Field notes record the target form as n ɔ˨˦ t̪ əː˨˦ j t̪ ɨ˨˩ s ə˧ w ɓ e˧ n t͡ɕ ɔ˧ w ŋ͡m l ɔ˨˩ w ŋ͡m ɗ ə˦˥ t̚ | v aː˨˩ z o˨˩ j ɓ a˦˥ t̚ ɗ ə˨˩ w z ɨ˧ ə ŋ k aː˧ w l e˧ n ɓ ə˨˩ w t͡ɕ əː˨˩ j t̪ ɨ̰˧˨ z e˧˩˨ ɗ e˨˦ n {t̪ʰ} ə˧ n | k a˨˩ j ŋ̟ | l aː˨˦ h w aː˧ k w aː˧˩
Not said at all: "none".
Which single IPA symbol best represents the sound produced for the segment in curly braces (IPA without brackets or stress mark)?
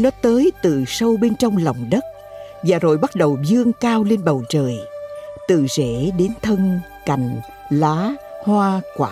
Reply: t̪ʰ